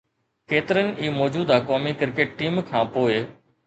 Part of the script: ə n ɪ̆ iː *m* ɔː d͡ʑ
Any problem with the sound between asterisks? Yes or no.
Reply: no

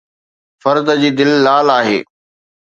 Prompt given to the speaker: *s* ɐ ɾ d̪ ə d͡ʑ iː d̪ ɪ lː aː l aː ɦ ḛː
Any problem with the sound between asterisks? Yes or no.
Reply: yes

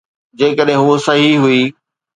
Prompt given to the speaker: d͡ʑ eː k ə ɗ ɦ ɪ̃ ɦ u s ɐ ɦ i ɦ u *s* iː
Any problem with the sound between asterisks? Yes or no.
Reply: yes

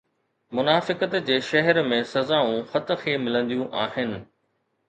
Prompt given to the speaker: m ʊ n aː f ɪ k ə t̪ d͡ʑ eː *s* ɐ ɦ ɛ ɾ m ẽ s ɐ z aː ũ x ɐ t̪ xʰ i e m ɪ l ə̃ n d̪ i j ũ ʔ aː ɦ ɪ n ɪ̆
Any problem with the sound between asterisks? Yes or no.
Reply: yes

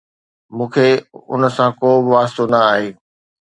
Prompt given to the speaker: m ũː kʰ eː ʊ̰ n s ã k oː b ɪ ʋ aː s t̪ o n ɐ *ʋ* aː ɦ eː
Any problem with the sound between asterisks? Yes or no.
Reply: yes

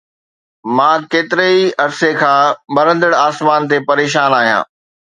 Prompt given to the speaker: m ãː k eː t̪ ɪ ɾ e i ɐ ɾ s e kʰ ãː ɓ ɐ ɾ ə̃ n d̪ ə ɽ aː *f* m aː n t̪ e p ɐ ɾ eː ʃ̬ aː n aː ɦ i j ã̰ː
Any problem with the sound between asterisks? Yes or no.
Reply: yes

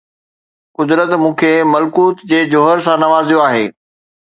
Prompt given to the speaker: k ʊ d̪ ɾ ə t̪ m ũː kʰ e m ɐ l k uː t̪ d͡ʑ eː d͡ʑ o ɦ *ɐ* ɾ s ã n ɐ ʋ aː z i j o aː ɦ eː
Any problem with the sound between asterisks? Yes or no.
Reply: yes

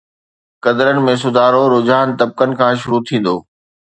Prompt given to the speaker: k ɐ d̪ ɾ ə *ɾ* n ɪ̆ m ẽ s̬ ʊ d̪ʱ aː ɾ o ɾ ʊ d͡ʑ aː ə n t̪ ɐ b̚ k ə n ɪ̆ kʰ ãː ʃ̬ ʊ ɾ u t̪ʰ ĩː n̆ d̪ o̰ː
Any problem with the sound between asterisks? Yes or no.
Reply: yes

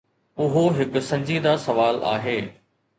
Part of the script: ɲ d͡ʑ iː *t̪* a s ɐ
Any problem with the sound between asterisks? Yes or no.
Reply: yes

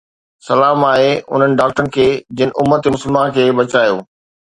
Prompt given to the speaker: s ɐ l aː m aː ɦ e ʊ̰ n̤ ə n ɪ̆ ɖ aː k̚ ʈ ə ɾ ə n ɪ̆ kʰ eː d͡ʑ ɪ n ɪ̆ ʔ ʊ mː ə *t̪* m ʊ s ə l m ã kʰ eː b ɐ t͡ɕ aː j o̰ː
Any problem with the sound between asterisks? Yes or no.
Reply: no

